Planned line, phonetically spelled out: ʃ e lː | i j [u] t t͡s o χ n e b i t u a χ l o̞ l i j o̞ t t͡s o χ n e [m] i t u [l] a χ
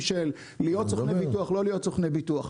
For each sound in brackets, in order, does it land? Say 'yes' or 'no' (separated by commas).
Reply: no, no, no